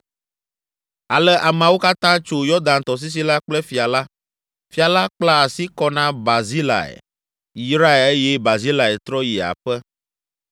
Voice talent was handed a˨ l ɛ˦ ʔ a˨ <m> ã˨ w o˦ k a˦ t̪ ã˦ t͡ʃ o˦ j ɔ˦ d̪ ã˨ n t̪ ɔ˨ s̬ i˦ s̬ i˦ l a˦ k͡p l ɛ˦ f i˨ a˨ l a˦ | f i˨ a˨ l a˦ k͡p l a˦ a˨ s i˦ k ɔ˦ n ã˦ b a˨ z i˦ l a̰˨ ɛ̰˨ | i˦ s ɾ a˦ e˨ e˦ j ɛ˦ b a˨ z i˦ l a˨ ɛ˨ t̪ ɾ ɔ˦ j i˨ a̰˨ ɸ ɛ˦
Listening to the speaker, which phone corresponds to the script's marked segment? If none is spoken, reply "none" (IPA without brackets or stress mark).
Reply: m